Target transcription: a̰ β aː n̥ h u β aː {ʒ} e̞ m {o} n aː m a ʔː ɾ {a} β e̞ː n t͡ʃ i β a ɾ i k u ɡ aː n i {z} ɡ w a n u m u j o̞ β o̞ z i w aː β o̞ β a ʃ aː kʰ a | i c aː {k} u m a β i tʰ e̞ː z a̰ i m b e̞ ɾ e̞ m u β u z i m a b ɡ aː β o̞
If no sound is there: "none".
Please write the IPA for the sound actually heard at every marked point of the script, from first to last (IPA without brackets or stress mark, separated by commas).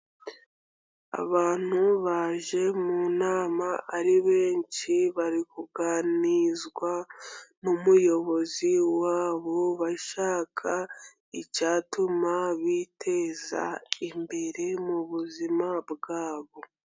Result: ʒ, u, i, z, t